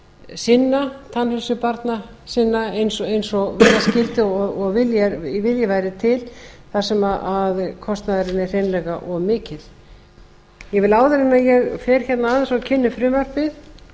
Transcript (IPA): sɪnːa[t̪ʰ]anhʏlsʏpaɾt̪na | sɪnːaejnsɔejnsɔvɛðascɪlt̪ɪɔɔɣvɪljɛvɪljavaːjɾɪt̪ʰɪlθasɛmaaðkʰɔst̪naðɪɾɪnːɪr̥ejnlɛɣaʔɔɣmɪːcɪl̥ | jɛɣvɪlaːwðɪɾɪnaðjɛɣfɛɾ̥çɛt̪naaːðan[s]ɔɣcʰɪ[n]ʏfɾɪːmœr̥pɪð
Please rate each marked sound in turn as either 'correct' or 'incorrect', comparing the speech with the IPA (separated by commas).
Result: correct, correct, incorrect